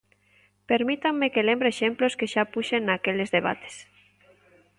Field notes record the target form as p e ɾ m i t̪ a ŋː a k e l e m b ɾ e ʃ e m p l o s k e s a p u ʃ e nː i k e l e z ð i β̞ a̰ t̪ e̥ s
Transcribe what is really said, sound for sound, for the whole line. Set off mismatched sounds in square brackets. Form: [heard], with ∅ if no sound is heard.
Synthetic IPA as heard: p e ɾ m i t̪ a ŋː [e] k e l e m b ɾ e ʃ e m p l o s k e [ʃ] a p u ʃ e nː [a] k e l e z ð [e] β̞ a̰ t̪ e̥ s